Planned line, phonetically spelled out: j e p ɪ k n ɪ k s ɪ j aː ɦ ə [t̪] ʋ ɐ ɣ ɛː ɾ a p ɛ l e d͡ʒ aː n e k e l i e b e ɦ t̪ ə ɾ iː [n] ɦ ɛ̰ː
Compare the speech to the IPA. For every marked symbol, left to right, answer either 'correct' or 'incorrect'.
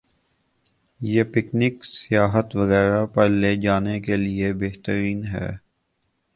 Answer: correct, correct

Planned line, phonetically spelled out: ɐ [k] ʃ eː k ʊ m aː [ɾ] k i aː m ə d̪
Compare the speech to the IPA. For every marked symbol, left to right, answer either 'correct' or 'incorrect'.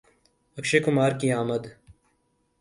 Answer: correct, correct

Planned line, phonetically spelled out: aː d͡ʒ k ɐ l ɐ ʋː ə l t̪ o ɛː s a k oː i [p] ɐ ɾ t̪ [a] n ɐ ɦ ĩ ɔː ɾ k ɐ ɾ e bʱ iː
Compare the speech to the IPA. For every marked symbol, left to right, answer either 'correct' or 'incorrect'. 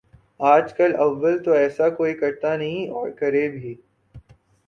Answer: incorrect, correct

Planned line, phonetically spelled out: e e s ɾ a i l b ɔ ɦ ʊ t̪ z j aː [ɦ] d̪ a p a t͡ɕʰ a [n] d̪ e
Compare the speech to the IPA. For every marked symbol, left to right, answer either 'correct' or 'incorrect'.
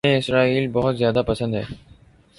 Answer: incorrect, correct

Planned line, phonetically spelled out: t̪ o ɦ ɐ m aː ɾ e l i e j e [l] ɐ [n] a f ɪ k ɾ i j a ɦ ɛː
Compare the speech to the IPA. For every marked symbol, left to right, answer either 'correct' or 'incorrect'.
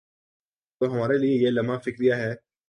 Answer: correct, incorrect

